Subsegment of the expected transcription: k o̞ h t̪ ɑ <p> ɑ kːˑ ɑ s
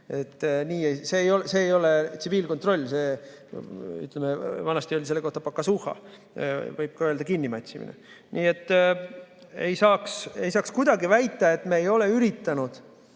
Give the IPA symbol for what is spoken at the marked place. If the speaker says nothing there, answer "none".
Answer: p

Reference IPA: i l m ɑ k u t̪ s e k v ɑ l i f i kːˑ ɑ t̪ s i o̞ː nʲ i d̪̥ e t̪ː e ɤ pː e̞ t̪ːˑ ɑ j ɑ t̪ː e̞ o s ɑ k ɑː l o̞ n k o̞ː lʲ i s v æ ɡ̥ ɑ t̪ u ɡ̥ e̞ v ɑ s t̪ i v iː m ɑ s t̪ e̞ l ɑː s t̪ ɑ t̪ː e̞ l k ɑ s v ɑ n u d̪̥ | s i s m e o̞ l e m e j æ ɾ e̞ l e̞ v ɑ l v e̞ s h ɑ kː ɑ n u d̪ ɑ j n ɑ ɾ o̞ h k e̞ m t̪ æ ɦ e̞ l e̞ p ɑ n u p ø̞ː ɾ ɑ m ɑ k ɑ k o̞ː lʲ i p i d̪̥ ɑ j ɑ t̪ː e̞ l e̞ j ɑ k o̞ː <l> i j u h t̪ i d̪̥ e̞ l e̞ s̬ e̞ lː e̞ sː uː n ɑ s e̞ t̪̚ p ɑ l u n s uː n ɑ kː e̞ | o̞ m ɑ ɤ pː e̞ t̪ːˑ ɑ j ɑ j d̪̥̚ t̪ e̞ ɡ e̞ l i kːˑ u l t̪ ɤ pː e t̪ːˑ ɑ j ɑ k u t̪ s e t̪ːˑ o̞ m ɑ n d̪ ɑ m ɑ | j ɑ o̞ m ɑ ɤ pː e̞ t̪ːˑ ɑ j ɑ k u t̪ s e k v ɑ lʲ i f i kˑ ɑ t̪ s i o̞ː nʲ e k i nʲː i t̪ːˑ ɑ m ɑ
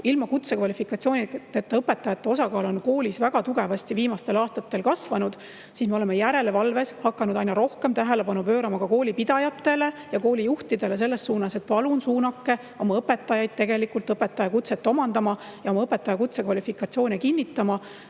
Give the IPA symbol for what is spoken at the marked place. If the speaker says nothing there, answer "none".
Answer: l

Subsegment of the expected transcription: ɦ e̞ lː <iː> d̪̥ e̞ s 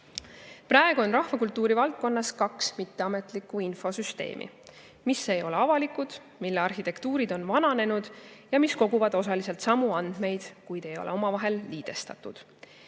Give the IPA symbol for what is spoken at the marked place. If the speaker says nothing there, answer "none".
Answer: iː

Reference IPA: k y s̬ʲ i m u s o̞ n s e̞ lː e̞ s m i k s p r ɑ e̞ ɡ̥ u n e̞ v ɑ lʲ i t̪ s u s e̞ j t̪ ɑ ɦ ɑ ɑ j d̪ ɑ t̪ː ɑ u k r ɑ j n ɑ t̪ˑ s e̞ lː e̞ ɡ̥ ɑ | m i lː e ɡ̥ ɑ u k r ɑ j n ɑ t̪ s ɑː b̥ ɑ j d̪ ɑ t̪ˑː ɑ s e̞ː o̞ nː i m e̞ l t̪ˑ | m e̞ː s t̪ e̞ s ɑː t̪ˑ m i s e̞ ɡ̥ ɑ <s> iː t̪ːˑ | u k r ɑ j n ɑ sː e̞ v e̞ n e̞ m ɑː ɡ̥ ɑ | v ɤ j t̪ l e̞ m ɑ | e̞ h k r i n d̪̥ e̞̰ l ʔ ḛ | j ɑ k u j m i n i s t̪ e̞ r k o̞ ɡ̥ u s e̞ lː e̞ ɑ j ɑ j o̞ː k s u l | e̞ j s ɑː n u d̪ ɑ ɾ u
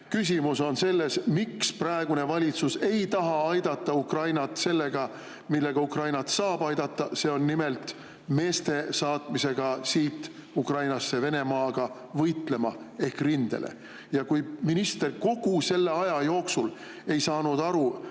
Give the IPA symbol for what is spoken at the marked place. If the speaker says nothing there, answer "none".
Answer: s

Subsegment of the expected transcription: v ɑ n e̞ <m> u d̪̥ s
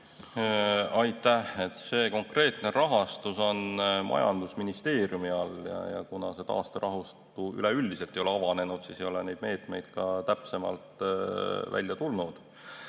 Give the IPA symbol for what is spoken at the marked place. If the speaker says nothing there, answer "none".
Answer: n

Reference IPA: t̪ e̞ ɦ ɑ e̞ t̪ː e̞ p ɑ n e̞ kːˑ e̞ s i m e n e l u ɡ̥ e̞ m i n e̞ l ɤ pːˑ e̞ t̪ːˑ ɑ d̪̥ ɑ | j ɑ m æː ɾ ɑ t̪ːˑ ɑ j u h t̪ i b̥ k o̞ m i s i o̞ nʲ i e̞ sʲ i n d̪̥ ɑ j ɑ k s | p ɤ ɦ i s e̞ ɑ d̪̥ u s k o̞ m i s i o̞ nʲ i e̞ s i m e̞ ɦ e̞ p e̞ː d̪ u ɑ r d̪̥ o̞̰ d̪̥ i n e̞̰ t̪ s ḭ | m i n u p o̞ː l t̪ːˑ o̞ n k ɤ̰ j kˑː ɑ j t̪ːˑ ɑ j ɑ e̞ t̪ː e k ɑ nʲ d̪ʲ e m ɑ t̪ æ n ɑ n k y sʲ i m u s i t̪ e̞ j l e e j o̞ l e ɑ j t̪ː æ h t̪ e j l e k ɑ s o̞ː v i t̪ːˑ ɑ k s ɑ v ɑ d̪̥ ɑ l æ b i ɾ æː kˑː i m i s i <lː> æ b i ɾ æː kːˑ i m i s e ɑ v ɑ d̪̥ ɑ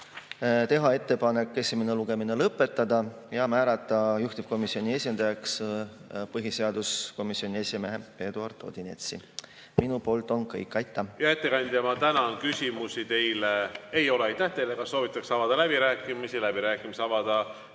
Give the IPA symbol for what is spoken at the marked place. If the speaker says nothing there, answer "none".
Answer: l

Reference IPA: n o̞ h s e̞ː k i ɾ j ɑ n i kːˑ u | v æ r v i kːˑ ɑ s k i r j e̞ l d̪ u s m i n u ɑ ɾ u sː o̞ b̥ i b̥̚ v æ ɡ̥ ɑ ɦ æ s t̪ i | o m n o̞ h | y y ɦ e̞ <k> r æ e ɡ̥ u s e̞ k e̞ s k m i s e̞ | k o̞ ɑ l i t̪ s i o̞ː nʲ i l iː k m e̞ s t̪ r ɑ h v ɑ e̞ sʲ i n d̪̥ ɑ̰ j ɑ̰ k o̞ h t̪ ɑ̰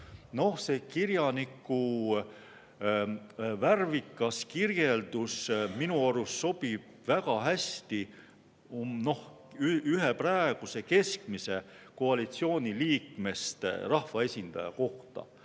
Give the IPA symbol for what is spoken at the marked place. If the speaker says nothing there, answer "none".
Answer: p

